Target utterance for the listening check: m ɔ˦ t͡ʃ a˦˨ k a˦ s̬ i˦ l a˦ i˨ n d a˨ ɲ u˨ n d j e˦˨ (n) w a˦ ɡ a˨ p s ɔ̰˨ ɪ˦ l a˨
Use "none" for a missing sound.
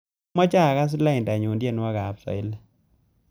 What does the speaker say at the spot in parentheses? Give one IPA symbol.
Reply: n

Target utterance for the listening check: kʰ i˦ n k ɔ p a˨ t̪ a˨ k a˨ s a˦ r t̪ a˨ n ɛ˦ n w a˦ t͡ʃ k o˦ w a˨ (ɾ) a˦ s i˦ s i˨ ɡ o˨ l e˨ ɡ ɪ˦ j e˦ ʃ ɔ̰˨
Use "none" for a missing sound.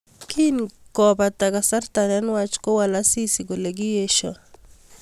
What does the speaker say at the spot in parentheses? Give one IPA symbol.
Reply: l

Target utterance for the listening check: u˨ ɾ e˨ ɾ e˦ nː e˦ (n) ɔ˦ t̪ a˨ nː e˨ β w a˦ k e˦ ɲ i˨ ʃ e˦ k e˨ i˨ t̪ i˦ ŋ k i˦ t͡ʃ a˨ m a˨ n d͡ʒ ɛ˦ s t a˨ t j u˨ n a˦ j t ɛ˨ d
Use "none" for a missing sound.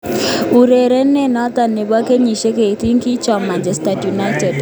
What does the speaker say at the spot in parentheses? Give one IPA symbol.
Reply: n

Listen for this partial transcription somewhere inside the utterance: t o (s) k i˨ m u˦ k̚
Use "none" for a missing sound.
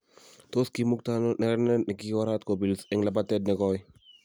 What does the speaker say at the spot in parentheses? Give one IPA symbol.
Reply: s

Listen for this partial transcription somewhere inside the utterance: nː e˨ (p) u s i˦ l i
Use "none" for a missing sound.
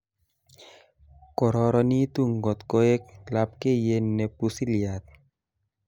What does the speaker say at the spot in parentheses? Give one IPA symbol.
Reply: p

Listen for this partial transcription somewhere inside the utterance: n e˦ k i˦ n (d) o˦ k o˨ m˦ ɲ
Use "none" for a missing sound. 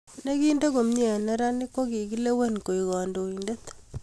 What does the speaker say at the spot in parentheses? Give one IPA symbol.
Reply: d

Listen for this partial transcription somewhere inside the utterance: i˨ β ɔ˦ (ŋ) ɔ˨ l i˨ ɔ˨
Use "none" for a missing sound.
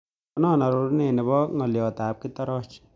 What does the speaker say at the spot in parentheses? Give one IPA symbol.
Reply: ŋ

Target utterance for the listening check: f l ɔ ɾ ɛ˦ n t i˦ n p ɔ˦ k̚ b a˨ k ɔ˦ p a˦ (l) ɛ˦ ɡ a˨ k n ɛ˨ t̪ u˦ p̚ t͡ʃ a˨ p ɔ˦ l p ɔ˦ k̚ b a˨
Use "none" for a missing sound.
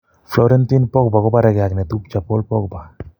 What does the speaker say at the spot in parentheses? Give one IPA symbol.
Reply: ɾ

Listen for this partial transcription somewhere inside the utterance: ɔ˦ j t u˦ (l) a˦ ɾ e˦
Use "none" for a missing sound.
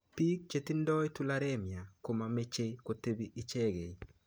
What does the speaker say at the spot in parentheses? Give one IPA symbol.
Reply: l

